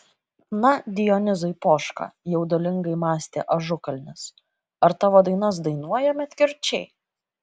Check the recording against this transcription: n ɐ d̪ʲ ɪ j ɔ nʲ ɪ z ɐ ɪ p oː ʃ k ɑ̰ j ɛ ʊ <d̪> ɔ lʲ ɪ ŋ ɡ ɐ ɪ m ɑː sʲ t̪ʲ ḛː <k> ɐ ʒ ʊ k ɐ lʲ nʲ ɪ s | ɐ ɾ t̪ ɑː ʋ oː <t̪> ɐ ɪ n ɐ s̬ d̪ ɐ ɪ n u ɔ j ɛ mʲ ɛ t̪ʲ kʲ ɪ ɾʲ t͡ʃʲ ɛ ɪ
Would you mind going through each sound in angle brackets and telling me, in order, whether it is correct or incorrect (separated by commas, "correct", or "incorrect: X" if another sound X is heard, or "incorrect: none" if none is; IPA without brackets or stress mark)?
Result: correct, incorrect: ʔ, incorrect: d̪